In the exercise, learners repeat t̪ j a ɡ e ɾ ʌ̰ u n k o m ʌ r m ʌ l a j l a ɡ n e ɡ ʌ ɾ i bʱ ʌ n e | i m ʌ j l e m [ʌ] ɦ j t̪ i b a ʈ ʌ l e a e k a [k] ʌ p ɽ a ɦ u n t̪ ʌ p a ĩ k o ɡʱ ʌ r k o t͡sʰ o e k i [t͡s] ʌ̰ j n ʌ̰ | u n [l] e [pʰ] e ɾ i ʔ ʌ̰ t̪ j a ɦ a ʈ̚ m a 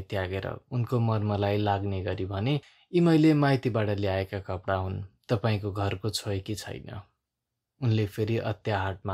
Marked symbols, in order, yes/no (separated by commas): no, yes, no, yes, yes